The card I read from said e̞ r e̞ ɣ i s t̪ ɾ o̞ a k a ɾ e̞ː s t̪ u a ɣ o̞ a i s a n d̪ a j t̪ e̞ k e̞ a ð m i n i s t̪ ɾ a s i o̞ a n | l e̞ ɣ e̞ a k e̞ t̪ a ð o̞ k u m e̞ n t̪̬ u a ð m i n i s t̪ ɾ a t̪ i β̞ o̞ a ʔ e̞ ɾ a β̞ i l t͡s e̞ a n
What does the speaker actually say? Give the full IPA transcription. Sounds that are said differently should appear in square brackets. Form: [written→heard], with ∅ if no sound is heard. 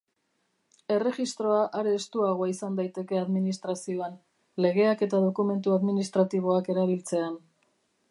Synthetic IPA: e̞ r e̞ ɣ i s t̪ ɾ o̞ a [k→ʔ] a ɾ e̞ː s t̪ u a ɣ o̞ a i s a n d̪ a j t̪ e̞ k e̞ a ð m i n i s t̪ ɾ a s i o̞ a n | l e̞ ɣ e̞ a k e̞ t̪ a ð o̞ k u m e̞ n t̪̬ u a ð m i n i s t̪ ɾ a t̪ i β̞ o̞ a [ʔ→k] e̞ ɾ a β̞ i l t͡s e̞ a n

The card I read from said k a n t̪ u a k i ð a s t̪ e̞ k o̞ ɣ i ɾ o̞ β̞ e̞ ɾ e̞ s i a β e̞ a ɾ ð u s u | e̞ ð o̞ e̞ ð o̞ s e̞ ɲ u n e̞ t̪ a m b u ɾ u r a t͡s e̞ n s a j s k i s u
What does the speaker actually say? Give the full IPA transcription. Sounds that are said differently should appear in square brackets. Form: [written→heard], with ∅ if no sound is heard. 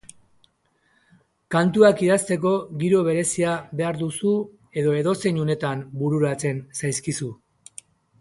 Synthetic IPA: k a n t̪ u a k i ð a s t̪ e̞ k o̞ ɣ i ɾ o̞ β̞ e̞ ɾ e̞ s i a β e̞ a ɾ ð u s u | e̞ ð o̞ e̞ ð o̞ s e̞ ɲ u n e̞ t̪ a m b u ɾ u [r→ɾ] a t͡s e̞ n s a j s k i s u

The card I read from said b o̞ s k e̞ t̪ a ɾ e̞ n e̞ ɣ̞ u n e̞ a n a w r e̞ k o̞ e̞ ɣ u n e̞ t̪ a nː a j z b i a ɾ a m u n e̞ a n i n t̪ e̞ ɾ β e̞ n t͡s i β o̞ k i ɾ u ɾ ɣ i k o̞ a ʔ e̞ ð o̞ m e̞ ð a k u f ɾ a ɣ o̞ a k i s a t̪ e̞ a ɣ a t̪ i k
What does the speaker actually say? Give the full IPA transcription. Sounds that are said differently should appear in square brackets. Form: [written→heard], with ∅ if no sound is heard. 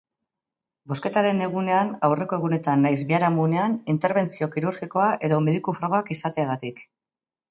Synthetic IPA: b o̞ s k e̞ t̪ a ɾ e̞ n e̞ ɣ̞ u n e̞ a n a w r e̞ k o̞ e̞ ɣ u n e̞ t̪ a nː a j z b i a ɾ a m u n e̞ a n i n t̪ e̞ ɾ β e̞ n t͡s i [β→∅] o̞ k i ɾ u ɾ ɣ i k o̞ a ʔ e̞ ð o̞ m e̞ ð [a→i] k u f ɾ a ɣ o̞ a k i s a t̪ e̞ a ɣ a t̪ i k

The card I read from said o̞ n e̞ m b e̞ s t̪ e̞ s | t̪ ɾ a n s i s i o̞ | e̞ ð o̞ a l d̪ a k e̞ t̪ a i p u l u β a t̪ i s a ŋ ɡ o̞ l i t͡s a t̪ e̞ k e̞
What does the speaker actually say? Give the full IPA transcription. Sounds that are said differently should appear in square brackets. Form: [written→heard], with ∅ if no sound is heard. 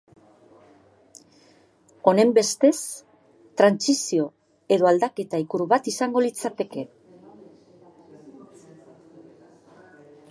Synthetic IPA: o̞ n e̞ m b e̞ s t̪ e̞ s | t̪ ɾ a n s i s i o̞ | e̞ ð o̞ a l d̪ a k e̞ t̪ a i [p→k] u [l→ɾ] u β a t̪ i s a ŋ ɡ o̞ l i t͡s a t̪ e̞ k e̞

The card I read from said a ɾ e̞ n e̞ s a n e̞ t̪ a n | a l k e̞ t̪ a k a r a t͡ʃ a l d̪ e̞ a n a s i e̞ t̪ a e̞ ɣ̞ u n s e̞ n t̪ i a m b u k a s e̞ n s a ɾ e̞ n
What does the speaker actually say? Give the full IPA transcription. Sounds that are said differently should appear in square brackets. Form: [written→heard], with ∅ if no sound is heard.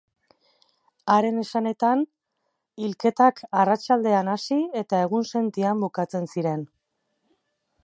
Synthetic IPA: a ɾ e̞ n e̞ s a n e̞ t̪ a n | [a→i] l k e̞ t̪ a k a r a t͡ʃ a l d̪ e̞ a n a s i e̞ t̪ a e̞ ɣ̞ u n s e̞ n t̪ i a m b u k a [s→t͡s] e̞ n s [a→i] ɾ e̞ n

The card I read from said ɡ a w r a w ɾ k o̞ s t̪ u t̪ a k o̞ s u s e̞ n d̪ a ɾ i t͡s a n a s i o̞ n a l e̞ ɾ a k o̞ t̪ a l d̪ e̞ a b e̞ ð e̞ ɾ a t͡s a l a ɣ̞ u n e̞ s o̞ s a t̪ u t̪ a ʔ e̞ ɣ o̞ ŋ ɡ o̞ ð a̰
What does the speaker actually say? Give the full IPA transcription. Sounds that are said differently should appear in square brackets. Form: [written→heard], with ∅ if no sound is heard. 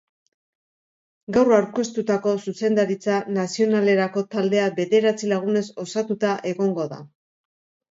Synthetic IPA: ɡ a w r a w ɾ k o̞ s t̪ u t̪ a k o̞ s u s e̞ n d̪ a ɾ i t͡s a n a s i o̞ n a l e̞ ɾ a k o̞ t̪ a l d̪ e̞ a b e̞ ð e̞ ɾ a t͡s [a→i] l a ɣ̞ u n e̞ s o̞ s a t̪ u t̪ a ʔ e̞ ɣ o̞ ŋ ɡ o̞ ð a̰

